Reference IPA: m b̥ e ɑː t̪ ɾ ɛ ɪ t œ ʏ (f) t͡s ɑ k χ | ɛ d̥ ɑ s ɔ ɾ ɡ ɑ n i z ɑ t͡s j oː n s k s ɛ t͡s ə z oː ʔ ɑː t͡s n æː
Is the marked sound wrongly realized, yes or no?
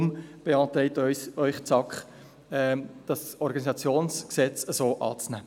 yes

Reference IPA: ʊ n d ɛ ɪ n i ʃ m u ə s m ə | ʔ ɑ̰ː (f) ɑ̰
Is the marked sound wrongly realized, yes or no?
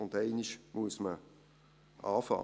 no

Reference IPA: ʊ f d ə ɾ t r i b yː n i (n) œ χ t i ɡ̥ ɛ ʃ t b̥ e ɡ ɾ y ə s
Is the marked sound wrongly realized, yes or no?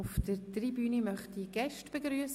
yes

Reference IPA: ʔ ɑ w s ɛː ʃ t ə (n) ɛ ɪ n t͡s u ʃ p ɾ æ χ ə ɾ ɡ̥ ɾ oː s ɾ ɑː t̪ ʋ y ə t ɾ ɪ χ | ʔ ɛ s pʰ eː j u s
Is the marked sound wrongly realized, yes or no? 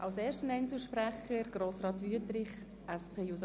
no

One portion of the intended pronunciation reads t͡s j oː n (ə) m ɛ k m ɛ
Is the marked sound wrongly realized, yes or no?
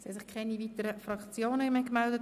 no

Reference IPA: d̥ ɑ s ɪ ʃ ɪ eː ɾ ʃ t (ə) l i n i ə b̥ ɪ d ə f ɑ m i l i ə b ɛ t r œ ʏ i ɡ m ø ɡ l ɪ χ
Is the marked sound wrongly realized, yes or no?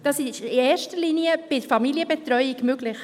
no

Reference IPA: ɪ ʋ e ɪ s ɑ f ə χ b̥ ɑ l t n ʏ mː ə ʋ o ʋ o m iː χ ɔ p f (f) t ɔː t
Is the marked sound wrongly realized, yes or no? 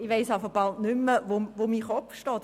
yes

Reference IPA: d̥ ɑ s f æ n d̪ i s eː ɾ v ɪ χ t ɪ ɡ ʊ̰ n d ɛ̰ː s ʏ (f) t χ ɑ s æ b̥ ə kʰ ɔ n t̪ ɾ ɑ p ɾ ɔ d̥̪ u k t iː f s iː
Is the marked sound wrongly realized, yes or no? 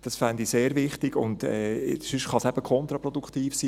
yes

